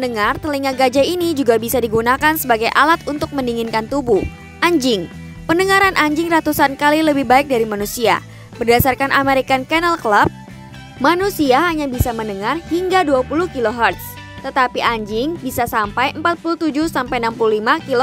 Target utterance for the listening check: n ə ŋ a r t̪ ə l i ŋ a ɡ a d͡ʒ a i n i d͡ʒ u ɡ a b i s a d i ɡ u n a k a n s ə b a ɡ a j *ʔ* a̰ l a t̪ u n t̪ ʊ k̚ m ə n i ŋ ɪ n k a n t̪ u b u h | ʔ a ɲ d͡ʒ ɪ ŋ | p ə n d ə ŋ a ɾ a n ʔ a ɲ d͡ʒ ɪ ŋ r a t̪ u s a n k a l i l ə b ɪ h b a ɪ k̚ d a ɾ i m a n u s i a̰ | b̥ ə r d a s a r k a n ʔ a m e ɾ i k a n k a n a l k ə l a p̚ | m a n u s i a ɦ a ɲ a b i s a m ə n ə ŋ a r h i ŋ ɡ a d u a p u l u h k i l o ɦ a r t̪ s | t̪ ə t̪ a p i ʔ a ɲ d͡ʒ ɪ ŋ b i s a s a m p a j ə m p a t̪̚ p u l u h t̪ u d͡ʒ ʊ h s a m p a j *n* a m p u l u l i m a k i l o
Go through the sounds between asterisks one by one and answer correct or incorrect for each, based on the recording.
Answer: correct, correct

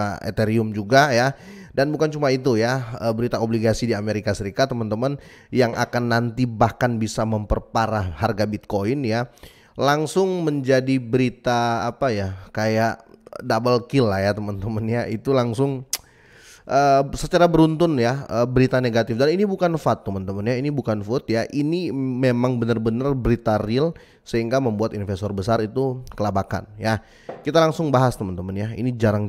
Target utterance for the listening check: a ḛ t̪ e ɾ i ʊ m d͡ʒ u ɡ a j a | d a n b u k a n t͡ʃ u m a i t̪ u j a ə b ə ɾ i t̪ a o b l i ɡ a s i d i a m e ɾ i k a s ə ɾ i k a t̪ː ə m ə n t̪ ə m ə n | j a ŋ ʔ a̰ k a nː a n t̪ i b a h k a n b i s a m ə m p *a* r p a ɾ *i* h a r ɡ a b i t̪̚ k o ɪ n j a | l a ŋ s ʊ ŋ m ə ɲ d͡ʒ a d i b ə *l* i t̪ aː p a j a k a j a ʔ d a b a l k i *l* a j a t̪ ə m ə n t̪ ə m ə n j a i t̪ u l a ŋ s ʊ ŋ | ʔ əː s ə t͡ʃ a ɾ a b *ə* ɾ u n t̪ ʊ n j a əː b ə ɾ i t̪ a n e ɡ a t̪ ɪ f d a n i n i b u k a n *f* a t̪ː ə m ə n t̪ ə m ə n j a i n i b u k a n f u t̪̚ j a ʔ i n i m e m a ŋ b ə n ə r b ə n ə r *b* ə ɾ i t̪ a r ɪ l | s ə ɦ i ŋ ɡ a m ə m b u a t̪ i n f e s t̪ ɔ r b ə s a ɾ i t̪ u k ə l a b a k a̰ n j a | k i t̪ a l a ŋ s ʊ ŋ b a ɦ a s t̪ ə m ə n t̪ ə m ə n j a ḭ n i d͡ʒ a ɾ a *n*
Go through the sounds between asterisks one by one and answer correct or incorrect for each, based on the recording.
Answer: incorrect: ə, incorrect: a, incorrect: ɾ, correct, correct, correct, correct, incorrect: ŋ

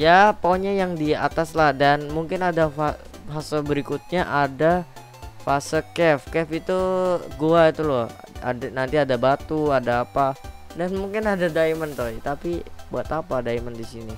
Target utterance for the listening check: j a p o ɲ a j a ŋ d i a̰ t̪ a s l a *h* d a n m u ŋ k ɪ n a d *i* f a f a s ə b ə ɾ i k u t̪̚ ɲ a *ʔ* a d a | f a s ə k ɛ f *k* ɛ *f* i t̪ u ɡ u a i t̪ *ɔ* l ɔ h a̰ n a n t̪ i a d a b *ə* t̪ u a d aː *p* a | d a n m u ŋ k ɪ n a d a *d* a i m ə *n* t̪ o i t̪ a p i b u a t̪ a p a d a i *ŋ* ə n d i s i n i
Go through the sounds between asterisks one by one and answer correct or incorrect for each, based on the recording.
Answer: correct, incorrect: a, correct, correct, correct, incorrect: u, incorrect: a, correct, correct, correct, incorrect: m

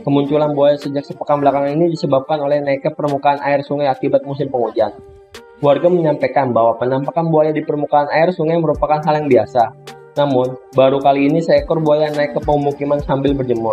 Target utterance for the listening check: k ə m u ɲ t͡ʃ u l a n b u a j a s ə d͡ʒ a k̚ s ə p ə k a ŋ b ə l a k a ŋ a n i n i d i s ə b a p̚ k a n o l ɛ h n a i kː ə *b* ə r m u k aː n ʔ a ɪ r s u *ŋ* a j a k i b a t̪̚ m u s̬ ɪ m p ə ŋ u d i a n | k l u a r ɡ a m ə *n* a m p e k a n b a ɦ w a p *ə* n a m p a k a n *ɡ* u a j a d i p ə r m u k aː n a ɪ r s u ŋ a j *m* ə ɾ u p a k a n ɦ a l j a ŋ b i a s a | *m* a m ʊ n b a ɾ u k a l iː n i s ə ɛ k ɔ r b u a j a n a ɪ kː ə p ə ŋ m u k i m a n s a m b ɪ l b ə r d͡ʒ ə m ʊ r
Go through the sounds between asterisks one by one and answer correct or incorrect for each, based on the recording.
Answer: incorrect: p, correct, incorrect: ɲ, correct, incorrect: b, correct, incorrect: n

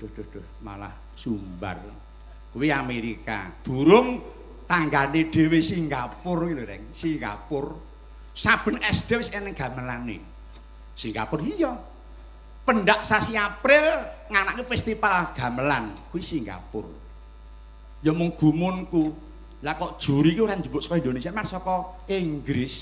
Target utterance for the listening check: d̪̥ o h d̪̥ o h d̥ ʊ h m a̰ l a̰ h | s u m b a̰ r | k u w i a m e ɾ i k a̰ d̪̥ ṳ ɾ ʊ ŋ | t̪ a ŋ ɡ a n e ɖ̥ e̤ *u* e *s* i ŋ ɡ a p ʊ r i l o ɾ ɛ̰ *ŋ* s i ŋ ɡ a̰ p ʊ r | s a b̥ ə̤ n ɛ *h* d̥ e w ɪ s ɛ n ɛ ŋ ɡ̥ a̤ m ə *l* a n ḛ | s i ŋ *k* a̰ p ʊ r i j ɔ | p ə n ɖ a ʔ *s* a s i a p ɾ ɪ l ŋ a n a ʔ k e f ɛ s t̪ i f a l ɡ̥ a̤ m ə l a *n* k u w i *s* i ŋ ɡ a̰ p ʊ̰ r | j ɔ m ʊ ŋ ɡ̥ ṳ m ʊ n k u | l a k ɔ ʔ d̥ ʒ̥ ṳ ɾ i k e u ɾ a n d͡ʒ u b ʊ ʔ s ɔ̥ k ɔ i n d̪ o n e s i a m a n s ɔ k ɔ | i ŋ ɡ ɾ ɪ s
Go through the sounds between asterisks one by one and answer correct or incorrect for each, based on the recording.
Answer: incorrect: w, correct, correct, incorrect: s, correct, incorrect: ɡ, correct, correct, correct

